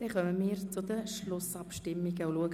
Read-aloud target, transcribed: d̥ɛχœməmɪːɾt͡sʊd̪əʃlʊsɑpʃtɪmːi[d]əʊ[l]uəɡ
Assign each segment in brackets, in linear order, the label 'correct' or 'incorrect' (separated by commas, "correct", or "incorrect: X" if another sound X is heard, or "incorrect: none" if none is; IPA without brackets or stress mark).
incorrect: ɡ, correct